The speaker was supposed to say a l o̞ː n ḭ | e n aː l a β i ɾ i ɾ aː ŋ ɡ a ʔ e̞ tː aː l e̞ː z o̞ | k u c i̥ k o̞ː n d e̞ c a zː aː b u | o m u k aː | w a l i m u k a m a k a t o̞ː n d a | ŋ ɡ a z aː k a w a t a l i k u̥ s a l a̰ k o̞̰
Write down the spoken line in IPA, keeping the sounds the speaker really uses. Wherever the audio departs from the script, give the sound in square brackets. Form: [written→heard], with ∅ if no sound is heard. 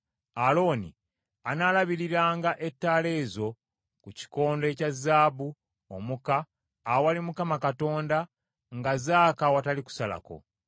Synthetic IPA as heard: a l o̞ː n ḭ | [e→a] n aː l a β i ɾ i ɾ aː ŋ ɡ a ʔ e̞ tː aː l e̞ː z o̞ | k u c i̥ k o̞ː n d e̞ c a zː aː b u | o m u k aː | w a l i m u k a m a k a t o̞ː n d a | ŋ ɡ a z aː k a w a t a l i k u̥ s a l a̰ k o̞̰

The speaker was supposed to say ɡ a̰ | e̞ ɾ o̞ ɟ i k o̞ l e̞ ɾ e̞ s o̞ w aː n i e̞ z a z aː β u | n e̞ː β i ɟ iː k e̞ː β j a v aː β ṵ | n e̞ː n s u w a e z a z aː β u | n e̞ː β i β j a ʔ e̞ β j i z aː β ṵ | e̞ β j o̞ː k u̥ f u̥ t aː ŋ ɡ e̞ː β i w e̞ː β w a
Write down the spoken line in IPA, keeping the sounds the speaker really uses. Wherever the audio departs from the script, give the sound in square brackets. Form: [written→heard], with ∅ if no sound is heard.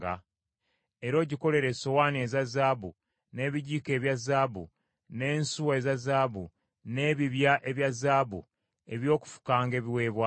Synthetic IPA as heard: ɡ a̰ | e̞ ɾ o̞ ɟ i k o̞ l e̞ ɾ e̞ s o̞ w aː n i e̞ z a z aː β u | n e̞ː β i ɟ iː k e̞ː β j a [v→z] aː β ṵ | n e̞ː n s u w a e z a z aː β u | n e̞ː β i β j a ʔ e̞ β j [i→a] z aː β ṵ | e̞ β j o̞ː k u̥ f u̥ [t→k] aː ŋ ɡ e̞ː β i w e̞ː β w a

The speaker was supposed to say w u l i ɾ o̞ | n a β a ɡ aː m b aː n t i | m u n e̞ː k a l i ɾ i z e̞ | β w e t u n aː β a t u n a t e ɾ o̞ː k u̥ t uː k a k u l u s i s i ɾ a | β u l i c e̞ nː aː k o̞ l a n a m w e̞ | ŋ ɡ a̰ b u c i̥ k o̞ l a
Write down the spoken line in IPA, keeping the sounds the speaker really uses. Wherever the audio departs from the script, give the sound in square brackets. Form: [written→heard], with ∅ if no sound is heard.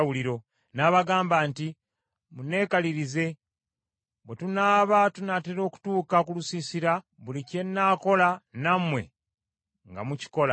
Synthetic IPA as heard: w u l i ɾ o̞ | n a β a ɡ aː m b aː n t i | m u n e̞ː k a l i ɾ i z e̞ | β w e t u n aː β a t u n a t e ɾ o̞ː k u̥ t uː k a k u l u s i s i ɾ a | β u l i c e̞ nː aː k o̞ l a n a m w e̞ | ŋ ɡ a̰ [b→m] u c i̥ k o̞ l a

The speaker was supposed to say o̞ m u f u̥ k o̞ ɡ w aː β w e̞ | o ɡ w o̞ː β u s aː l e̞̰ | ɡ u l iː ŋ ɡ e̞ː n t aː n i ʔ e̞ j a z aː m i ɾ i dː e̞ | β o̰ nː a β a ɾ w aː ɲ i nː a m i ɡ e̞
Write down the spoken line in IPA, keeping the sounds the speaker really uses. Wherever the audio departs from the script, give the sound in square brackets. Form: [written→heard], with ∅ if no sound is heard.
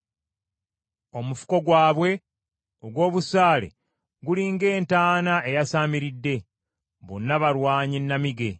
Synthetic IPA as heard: o̞ m u f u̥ k o̞ ɡ w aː β w e̞ | o ɡ w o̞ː β u s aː l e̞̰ | ɡ u l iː ŋ ɡ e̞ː n t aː n [i→a] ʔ e̞ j a [z→s] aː m i ɾ i dː e̞ | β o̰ nː a β a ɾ w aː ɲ i nː a m i ɡ e̞

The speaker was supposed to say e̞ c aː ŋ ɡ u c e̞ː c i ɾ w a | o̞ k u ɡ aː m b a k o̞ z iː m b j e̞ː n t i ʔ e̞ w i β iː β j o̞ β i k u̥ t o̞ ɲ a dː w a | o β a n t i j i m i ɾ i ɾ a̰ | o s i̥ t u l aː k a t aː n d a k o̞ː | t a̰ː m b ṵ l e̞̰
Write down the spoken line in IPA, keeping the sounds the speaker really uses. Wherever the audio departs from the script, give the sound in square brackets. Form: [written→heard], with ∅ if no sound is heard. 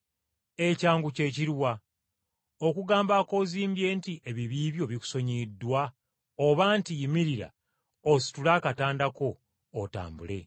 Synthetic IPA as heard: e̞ c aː ŋ ɡ u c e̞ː c i ɾ w a | o̞ k u ɡ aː m b a k o̞ z iː m b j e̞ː n t i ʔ e̞ [w→β] i β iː β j o̞ β i k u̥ [t→s] o̞ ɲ [a→i] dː w a | o β a n t i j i m i ɾ i ɾ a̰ | o s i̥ t u l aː k a t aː n d a k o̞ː | t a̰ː m b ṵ l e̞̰

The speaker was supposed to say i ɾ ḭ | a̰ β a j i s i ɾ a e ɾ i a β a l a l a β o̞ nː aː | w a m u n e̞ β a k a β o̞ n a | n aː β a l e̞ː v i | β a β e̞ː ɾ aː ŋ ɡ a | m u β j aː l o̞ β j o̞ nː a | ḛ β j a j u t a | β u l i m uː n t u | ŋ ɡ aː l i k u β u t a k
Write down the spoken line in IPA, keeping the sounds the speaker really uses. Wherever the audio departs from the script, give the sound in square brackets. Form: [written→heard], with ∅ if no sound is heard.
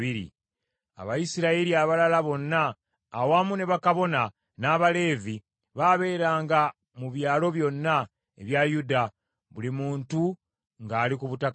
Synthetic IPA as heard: i ɾ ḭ | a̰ β a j i s i ɾ a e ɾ i a β a l a l a β o̞ nː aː | w a m u n e̞ β a k a β o̞ n a | n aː β a l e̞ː v i | β a β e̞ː ɾ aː ŋ ɡ a | m u β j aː l o̞ β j o̞ nː a | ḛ β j a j u [t→d] a | β u l i m uː n t u | ŋ ɡ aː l i k u β u t a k

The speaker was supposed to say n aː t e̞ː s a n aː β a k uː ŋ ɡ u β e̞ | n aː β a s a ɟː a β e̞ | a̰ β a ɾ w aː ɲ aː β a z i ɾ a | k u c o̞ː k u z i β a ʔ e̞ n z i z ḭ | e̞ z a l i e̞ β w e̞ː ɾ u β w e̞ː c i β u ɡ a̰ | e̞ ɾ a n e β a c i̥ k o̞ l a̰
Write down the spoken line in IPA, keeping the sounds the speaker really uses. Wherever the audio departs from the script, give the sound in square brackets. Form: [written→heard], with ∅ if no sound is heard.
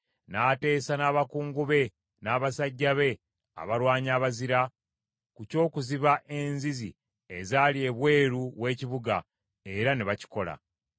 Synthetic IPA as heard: n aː t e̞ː s a n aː β a k uː ŋ ɡ u β e̞ | n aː β a s a ɟː a β e̞ | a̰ β a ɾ w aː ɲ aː β a z i ɾ a | k u c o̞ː k u z i β a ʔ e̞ n z i z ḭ | e̞ z a l i e̞ β w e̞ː ɾ u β w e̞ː c i β u ɡ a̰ | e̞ ɾ a n e β a c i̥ k o̞ l a̰

